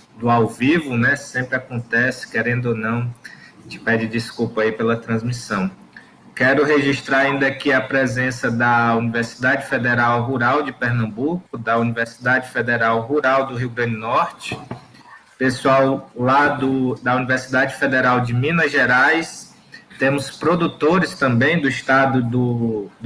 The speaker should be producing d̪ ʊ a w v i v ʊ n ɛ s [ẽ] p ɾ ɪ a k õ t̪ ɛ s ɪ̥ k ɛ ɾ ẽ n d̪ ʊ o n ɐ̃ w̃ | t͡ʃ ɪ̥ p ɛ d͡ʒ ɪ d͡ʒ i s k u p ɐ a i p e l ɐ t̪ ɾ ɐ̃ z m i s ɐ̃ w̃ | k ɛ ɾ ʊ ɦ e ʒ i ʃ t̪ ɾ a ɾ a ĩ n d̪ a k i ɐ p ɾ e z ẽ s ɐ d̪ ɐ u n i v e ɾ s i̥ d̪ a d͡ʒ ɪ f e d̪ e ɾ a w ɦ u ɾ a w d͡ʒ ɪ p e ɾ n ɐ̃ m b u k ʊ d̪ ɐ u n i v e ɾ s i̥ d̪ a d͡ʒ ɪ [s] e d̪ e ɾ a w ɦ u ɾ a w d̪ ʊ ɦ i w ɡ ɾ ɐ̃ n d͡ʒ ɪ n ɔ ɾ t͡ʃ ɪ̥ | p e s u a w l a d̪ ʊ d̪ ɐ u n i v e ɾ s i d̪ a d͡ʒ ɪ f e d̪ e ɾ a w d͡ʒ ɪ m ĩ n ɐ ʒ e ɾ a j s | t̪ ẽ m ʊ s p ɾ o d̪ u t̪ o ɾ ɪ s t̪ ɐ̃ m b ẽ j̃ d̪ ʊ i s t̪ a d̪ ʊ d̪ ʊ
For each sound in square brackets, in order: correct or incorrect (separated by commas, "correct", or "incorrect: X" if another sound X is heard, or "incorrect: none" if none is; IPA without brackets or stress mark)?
correct, incorrect: f